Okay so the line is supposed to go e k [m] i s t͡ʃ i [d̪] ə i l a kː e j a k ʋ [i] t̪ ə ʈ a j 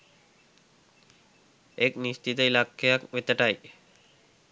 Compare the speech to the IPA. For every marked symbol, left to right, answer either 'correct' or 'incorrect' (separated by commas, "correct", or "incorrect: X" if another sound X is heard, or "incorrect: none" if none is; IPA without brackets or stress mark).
incorrect: n, incorrect: t̪, incorrect: e